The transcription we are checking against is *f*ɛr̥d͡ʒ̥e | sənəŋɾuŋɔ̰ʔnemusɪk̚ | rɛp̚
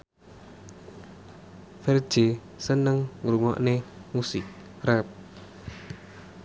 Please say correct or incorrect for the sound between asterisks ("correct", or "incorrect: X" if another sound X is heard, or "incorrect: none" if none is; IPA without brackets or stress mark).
correct